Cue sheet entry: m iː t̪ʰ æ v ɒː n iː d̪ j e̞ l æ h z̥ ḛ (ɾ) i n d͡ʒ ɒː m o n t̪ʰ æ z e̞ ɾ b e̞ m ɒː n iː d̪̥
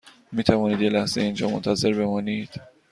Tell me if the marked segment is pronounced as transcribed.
no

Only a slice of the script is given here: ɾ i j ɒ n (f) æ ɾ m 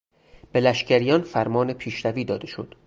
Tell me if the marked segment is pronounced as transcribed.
yes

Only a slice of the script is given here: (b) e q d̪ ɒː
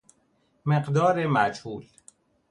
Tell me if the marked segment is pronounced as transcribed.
no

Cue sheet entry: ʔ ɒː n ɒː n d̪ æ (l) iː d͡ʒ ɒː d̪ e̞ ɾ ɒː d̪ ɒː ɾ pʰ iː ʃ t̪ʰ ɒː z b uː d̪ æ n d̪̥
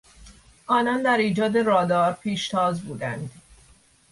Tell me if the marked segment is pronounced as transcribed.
no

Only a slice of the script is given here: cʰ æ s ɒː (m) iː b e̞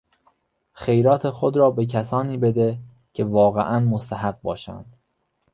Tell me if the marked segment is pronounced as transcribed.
no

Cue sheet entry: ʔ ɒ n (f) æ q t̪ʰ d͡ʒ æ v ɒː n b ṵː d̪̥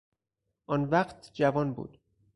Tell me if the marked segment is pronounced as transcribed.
no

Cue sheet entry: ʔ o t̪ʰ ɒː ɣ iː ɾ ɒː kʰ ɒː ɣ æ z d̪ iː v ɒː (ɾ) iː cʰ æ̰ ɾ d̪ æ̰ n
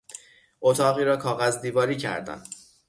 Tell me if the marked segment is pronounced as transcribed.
yes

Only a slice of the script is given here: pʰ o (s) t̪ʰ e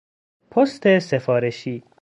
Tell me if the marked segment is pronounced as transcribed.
yes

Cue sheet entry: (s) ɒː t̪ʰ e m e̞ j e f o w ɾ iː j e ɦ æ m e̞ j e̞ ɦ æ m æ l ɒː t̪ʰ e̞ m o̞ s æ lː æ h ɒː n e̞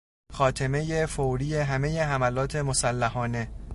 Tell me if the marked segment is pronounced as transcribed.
no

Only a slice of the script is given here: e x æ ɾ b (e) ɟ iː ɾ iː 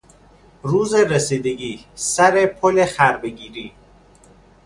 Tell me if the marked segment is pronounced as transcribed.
yes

